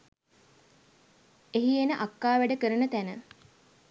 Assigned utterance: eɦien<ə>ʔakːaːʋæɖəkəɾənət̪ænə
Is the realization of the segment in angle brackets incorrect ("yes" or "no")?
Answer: no